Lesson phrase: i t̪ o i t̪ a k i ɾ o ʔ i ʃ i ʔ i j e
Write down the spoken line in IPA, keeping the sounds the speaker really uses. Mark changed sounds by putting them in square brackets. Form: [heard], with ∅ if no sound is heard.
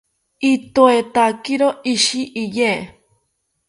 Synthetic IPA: i t̪ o [e] t̪ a k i ɾ o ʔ i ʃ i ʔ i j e